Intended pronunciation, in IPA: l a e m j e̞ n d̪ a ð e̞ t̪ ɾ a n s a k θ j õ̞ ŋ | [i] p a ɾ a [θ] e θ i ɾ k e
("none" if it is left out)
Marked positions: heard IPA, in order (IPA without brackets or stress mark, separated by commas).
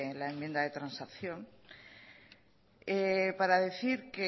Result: e, ð